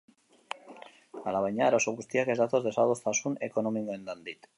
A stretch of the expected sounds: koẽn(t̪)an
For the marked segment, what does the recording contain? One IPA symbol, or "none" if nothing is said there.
d̪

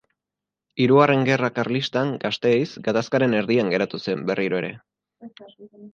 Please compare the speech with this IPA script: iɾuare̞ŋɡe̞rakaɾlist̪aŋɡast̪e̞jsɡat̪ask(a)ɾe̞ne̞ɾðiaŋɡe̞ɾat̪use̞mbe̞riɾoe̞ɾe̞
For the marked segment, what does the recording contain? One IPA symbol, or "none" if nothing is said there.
a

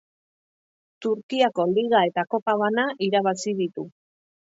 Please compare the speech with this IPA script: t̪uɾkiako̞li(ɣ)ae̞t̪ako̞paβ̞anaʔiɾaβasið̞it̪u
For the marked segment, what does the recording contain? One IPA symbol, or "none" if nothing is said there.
ɣ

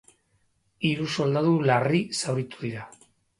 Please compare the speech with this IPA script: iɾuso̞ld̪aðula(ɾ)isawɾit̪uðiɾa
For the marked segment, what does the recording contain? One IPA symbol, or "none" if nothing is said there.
r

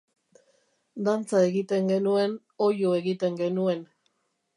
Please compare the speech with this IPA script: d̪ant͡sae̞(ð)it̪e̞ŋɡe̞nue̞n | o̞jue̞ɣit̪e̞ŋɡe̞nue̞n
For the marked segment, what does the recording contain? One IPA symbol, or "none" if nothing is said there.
ɣ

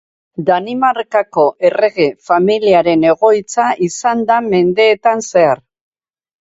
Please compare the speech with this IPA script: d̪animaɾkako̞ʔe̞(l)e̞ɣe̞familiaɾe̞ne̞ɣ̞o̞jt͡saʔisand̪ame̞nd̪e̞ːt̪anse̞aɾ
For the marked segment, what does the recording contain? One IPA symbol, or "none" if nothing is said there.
r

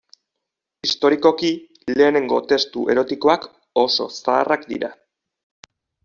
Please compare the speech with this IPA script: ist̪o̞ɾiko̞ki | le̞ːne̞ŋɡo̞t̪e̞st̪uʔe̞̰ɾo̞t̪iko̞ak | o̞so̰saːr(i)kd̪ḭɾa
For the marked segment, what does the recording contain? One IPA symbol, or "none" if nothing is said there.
a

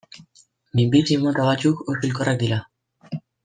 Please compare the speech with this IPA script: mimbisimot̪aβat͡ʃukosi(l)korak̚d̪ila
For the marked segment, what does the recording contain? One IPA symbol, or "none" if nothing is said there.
l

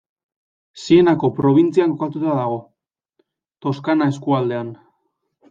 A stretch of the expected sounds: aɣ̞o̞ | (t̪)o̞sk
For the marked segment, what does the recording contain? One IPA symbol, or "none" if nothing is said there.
t̪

